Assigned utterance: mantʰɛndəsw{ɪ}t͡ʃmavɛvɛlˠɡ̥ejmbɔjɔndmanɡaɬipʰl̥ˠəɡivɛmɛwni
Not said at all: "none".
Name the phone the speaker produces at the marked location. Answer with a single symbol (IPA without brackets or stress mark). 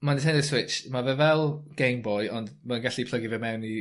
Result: ɪ